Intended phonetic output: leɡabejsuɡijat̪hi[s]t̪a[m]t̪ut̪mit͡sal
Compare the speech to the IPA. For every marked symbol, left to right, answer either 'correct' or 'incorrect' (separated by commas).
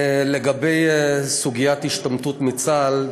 incorrect, correct